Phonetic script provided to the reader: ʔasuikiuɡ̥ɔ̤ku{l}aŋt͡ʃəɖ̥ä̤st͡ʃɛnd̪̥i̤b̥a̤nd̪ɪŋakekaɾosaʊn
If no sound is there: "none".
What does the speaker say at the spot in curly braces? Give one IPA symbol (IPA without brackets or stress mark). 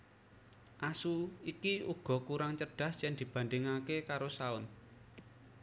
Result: ɾ